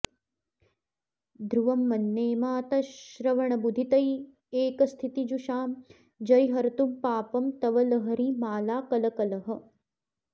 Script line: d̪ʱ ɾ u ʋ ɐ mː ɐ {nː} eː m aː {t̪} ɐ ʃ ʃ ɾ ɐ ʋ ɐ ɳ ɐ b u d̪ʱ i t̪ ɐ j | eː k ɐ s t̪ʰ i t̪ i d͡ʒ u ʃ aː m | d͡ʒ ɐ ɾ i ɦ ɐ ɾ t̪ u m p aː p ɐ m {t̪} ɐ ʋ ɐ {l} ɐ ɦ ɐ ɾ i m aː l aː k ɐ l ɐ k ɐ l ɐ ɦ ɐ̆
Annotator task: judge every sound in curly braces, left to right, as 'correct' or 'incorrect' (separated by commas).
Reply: correct, correct, correct, correct